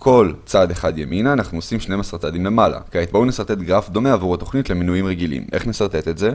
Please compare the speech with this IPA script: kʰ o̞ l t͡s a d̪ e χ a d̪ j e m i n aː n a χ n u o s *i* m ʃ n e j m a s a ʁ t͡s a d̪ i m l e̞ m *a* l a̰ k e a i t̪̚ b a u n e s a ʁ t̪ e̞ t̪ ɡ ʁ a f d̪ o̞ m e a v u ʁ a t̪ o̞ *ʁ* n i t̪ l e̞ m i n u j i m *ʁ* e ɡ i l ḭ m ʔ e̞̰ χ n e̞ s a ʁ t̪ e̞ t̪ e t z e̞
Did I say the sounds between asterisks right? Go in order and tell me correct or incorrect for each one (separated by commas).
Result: correct, correct, incorrect, correct